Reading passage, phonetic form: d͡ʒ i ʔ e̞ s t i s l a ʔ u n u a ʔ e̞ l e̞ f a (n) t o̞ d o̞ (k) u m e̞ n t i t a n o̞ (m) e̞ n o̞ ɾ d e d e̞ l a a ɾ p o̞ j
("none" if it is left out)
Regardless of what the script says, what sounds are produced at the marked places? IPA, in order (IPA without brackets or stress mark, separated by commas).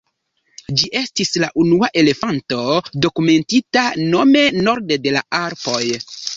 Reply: n, k, m